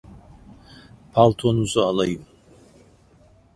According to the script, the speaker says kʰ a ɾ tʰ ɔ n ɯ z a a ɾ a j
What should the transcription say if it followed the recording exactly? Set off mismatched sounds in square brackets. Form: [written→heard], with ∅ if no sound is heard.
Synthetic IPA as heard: [kʰ→pʰ] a [ɾ→l] tʰ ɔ n [ɯ→u] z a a [ɾ→l] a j